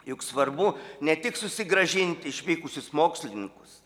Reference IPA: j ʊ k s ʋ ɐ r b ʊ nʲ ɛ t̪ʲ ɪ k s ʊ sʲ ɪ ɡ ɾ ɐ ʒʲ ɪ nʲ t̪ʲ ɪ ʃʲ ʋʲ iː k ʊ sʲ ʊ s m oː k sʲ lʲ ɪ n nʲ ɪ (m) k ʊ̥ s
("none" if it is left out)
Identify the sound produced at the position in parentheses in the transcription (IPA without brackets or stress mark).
ŋ